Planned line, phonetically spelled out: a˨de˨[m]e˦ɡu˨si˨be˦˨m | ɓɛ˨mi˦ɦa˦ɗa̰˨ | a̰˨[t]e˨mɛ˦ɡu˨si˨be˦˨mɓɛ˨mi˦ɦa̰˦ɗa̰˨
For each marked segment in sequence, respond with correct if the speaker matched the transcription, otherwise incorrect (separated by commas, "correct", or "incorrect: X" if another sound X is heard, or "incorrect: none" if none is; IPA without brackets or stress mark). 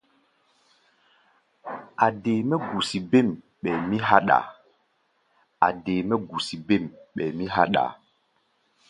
correct, incorrect: d